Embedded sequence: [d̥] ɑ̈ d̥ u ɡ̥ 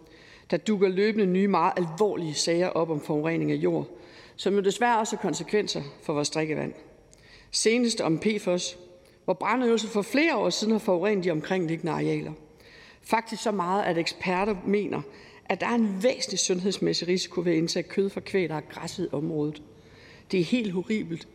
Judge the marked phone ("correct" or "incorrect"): correct